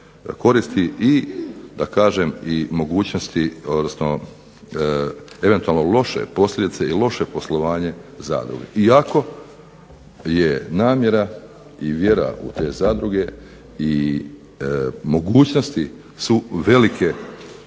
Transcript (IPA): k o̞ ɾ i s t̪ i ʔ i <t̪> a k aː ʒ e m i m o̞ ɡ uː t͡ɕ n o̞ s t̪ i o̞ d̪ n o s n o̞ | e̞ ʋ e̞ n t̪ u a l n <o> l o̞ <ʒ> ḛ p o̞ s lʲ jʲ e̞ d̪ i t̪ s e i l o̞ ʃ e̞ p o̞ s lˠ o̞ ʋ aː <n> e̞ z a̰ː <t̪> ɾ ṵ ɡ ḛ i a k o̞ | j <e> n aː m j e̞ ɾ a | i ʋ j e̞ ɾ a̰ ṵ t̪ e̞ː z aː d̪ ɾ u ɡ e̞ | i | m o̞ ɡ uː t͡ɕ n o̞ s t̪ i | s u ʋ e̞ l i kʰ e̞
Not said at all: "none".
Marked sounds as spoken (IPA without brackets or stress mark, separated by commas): d̪, o, ʃ, ɲ, d̪, e